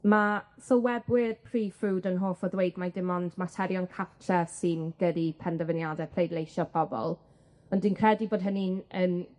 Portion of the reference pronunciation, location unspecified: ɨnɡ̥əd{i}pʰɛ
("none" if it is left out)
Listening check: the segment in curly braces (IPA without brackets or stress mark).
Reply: i